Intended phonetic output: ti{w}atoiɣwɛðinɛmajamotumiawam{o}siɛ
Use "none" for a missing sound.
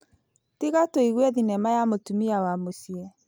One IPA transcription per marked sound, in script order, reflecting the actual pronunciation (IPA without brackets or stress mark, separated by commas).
ɣ, o